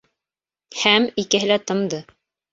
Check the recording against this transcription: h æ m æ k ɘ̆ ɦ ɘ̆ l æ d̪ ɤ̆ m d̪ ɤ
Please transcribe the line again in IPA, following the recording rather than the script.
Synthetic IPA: h æ m i k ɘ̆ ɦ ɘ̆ l æ t̪ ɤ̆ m d̪ ɤ